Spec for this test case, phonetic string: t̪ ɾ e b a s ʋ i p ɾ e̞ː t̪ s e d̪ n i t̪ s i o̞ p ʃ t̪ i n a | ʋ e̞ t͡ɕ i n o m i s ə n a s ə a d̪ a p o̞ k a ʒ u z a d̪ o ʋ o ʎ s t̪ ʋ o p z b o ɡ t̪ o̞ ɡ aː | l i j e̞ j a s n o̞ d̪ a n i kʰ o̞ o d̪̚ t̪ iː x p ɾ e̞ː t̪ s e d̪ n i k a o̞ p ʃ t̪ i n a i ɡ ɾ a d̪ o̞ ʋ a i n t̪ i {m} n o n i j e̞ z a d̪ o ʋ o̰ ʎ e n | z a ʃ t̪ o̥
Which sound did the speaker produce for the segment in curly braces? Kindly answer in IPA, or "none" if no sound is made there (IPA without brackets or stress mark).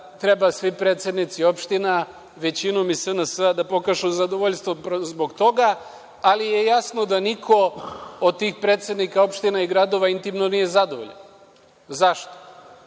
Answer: m